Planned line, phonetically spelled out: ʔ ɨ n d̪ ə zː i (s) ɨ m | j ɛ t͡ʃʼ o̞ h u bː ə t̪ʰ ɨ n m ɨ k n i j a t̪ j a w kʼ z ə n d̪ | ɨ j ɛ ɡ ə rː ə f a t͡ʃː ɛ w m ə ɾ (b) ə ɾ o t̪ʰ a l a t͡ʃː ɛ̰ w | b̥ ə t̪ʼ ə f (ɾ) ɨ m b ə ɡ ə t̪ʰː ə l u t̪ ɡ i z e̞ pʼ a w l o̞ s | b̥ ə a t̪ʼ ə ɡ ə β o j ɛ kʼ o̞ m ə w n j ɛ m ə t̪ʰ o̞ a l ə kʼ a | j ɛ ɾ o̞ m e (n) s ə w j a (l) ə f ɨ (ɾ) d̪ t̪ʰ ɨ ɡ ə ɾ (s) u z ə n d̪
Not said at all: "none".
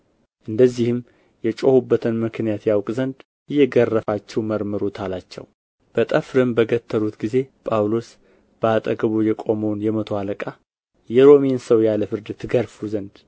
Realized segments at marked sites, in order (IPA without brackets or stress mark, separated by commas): h, m, ɾ, n, l, ɾ, f